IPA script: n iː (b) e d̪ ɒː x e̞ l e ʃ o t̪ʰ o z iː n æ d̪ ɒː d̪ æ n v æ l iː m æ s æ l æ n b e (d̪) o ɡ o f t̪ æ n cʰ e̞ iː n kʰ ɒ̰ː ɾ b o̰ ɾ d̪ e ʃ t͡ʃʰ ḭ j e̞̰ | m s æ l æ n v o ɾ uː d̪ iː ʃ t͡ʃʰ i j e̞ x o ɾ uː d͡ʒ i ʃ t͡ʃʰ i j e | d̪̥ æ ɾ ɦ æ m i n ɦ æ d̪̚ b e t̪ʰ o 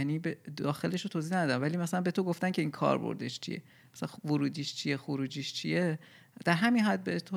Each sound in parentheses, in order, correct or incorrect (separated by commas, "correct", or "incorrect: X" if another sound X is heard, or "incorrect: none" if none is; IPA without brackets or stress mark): correct, incorrect: t̪